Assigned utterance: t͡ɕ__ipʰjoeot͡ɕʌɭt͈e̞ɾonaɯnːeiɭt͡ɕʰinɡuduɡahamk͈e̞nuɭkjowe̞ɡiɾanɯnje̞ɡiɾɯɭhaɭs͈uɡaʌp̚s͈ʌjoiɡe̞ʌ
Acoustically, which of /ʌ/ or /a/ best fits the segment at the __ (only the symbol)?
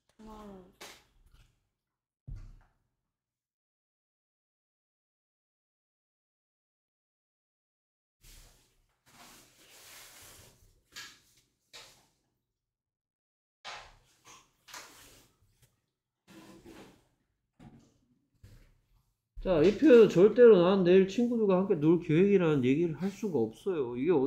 a